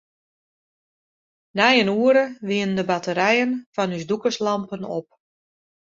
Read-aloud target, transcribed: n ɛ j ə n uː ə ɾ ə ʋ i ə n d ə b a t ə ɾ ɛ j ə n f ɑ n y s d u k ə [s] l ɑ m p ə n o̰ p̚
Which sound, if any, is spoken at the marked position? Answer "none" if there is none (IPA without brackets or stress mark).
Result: s